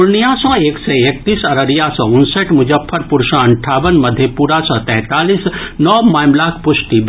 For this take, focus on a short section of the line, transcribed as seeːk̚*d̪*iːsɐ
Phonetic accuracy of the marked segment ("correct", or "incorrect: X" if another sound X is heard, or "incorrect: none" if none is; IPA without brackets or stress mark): incorrect: t̪